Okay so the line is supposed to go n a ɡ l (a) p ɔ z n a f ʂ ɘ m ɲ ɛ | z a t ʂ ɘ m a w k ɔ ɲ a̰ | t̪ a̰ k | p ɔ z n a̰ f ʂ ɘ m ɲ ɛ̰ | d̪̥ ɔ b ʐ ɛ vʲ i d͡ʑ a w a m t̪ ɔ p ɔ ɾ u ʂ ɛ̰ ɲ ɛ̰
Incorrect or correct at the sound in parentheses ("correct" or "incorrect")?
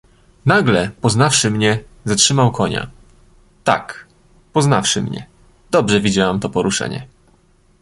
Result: incorrect